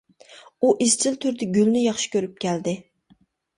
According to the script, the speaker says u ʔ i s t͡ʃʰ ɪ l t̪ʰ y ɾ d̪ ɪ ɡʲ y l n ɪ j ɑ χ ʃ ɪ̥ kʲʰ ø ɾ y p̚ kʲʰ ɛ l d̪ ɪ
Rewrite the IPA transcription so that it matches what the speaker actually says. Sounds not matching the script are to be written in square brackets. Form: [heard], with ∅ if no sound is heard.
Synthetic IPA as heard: u ʔ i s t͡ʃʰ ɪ l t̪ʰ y ɾ d̪ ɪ ɡʲ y l n ɪ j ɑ χ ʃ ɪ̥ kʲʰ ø ɾ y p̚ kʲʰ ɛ l d̪ ɪ